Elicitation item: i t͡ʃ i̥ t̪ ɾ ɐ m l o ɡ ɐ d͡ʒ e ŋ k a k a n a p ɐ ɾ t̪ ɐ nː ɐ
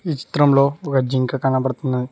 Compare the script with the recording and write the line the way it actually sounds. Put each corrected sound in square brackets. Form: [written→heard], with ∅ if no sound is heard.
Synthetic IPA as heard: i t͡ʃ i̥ t̪ ɾ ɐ m l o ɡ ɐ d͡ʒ [e→i] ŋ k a k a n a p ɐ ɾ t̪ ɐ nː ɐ